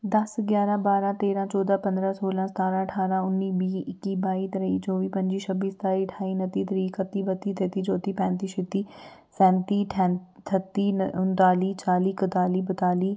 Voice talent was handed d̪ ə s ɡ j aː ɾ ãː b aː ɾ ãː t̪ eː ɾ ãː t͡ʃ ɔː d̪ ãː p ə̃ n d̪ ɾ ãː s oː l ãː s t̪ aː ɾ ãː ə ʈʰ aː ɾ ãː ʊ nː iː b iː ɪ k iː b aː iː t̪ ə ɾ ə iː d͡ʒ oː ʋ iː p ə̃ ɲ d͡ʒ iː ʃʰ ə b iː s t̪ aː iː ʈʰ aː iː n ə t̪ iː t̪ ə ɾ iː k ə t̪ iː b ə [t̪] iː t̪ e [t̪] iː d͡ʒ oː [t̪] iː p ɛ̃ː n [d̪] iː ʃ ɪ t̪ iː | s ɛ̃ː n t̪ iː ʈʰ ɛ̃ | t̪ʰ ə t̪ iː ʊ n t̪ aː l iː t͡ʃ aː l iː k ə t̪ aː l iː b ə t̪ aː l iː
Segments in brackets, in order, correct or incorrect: correct, correct, correct, incorrect: t̪

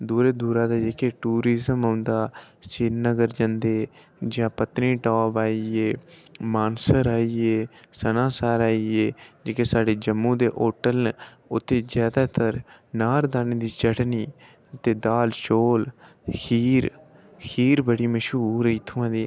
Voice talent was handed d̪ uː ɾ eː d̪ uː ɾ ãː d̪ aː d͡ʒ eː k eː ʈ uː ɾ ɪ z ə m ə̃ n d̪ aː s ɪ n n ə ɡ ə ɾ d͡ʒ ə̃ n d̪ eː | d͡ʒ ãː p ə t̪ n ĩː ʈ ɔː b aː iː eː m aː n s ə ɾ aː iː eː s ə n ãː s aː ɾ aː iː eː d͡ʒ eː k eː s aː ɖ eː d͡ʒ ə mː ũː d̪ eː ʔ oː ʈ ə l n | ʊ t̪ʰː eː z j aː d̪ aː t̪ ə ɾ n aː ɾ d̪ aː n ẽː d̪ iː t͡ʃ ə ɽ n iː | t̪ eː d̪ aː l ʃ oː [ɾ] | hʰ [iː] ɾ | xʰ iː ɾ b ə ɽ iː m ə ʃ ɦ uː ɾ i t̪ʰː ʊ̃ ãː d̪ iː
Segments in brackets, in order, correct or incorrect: incorrect: l, correct

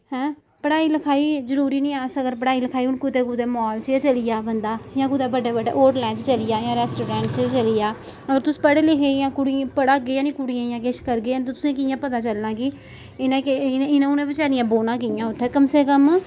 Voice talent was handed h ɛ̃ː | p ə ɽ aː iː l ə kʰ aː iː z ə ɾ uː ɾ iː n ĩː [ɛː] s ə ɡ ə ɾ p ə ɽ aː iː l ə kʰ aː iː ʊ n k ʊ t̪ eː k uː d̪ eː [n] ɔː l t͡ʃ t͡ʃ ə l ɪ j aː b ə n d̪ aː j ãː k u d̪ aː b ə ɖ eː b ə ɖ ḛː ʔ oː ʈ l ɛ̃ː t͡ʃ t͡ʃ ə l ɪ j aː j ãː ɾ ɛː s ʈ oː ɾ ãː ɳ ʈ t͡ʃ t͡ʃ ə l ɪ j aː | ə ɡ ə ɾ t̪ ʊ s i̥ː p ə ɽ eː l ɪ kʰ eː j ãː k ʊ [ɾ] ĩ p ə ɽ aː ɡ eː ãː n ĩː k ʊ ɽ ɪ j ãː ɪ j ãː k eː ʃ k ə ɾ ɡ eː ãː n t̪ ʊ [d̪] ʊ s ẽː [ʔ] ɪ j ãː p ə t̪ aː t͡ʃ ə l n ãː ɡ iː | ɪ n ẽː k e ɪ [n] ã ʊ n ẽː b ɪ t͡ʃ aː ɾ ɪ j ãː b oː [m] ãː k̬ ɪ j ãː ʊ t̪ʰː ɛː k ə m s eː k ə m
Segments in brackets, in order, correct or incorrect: incorrect: aː, incorrect: m, incorrect: ɽ, incorrect: t̪, incorrect: k, correct, incorrect: n

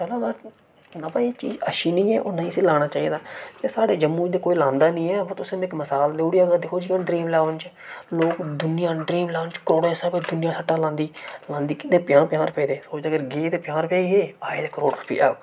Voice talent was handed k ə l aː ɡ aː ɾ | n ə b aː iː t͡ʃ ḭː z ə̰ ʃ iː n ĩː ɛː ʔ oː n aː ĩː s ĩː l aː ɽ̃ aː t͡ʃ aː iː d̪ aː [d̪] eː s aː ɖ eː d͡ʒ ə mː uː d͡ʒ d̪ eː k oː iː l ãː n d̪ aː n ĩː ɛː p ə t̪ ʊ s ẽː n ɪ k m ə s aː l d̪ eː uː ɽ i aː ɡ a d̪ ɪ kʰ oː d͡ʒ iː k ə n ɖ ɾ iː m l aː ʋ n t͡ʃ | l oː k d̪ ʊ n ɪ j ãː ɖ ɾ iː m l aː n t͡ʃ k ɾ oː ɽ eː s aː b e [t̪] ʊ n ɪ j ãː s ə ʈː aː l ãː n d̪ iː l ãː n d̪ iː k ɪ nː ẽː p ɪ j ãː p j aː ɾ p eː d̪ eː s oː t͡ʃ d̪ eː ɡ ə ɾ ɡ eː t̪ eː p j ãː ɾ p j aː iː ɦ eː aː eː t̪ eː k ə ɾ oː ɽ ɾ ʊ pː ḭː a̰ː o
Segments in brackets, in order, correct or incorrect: incorrect: t̪, incorrect: d̪

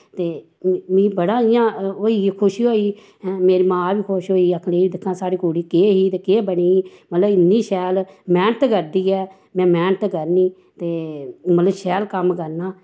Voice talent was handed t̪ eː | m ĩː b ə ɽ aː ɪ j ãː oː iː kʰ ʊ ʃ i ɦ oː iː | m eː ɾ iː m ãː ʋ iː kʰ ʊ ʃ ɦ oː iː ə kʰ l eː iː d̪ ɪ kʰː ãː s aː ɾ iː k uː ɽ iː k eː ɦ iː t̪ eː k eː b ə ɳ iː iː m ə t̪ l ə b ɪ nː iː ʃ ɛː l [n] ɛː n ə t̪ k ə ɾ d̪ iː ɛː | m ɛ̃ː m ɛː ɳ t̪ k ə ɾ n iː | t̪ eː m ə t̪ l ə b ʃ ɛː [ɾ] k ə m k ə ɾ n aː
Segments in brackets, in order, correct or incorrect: incorrect: m, incorrect: l

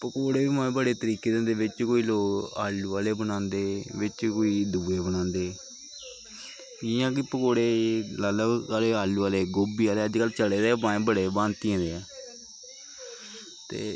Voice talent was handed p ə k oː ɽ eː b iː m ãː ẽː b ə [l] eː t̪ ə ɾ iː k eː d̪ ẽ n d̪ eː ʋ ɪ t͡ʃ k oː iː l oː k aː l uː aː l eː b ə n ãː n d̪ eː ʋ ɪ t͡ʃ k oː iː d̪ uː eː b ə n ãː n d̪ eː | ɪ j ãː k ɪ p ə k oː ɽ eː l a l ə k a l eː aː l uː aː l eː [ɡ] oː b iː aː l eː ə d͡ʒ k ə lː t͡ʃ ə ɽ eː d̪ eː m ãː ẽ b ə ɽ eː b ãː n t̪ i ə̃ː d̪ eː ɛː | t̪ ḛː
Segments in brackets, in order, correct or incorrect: incorrect: ɽ, correct

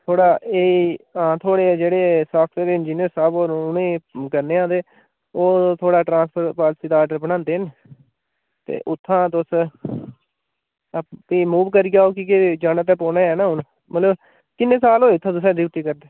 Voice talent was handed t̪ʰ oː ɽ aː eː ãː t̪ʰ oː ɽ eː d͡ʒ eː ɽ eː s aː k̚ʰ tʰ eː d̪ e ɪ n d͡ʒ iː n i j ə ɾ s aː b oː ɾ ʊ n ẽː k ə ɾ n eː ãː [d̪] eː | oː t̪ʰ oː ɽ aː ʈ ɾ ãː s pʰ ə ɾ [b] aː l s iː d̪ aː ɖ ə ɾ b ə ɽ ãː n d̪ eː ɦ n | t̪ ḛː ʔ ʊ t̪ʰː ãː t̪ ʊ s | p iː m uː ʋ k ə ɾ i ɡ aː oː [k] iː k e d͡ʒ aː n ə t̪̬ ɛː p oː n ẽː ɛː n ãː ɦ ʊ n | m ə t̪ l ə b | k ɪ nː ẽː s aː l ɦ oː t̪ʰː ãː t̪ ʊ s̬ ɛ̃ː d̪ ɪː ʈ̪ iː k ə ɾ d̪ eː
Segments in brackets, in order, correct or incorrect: correct, incorrect: p, correct

